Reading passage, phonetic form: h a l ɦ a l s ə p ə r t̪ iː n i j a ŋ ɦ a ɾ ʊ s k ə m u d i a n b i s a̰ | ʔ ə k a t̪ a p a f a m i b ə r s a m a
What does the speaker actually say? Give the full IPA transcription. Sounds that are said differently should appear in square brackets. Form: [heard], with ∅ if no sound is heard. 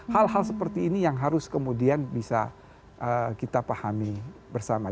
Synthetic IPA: h a l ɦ a l s ə p ə r t̪ iː n i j a ŋ ɦ a ɾ ʊ s k ə m u d i a n b i s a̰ | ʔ ə k [i] t̪ a p a [h] a m i b ə r s a m a